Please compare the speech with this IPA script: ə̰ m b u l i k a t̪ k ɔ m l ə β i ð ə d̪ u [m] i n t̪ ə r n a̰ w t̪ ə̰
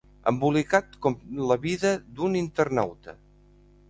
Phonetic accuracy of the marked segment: incorrect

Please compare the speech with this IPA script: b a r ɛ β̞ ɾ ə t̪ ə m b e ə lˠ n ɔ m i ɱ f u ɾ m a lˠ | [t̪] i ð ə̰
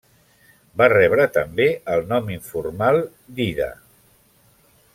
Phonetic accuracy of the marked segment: incorrect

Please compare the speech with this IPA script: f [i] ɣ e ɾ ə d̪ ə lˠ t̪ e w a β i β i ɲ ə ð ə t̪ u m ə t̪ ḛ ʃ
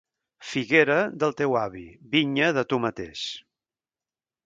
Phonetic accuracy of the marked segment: correct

